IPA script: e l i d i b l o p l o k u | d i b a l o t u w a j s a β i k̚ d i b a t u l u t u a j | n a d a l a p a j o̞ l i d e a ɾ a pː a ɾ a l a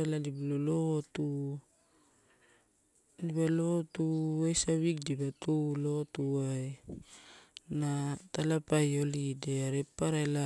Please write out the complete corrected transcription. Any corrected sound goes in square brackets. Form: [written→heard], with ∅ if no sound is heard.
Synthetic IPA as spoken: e l [i→a] d i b l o [p→∅] l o [k→t] u | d i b a l o t u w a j s a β i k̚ d i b a t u l [u→o] t u a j | n a [d→t] a l a p a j o̞ l i d e a ɾ [a→e] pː a ɾ a l a